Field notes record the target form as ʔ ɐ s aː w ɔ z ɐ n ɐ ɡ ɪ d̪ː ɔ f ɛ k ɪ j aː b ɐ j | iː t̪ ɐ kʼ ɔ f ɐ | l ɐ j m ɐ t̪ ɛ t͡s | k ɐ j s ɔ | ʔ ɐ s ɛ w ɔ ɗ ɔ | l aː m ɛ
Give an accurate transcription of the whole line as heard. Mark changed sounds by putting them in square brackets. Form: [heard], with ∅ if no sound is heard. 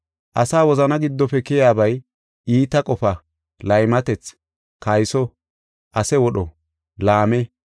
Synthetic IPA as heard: ʔ ɐ s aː w ɔ z ɐ n ɐ ɡ ɪ d̪ː ɔ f ɛ k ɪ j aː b ɐ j | iː t̪ ɐ kʼ ɔ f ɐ | l ɐ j m ɐ t̪ ɛ t͡s | k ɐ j s ɔ | ʔ ɐ s ɛ w ɔ ɗ ɔ | l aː m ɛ